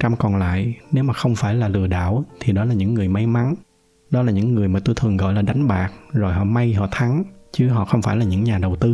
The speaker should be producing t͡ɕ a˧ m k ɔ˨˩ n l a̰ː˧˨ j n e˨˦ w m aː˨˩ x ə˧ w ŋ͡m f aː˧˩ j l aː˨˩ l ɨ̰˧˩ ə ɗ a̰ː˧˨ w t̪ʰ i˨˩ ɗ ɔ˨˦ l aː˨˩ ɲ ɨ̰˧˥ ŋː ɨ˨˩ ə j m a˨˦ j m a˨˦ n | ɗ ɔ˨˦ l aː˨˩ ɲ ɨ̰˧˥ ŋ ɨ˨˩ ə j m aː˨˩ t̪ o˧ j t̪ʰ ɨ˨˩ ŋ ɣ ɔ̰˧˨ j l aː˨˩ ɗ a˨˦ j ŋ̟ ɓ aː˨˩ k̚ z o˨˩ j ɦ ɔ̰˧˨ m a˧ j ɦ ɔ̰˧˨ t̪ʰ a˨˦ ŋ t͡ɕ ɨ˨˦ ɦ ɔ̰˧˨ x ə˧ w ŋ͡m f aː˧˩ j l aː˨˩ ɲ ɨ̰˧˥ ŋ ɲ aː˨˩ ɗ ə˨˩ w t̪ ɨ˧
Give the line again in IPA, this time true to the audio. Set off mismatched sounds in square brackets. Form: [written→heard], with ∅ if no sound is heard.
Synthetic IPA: t͡ɕ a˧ m k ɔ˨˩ n l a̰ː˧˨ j n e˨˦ w m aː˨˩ x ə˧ w ŋ͡m f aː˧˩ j l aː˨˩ l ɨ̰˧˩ ə ɗ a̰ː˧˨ w t̪ʰ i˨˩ ɗ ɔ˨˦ l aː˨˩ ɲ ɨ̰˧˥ ŋː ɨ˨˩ ə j m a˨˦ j m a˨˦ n | ɗ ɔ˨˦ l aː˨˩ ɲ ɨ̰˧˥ [ŋ→ŋː] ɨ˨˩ ə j m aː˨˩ t̪ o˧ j t̪ʰ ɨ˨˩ ŋ ɣ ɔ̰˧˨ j l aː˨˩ ɗ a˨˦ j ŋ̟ ɓ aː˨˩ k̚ z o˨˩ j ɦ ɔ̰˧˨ m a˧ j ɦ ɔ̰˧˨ t̪ʰ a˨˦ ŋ t͡ɕ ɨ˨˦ ɦ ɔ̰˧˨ x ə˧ w ŋ͡m f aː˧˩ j l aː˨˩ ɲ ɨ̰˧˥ ŋ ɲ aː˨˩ ɗ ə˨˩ w t̪ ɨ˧